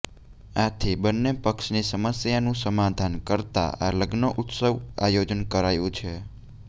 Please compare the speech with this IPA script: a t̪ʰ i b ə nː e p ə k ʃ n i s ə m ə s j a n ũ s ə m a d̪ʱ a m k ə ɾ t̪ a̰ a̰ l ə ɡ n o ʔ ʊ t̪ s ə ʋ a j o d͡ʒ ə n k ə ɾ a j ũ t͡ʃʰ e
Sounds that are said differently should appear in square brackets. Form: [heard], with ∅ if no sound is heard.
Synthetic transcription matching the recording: a t̪ʰ i b ə nː e p ə k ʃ n i s ə m ə s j a n ũ s ə m a d̪ʱ a [n] k ə ɾ t̪ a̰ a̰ l ə ɡ n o ʔ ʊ t̪ s ə ʋ a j o d͡ʒ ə n k ə ɾ a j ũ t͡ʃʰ e